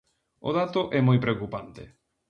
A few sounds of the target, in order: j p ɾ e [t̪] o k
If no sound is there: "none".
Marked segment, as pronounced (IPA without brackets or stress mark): none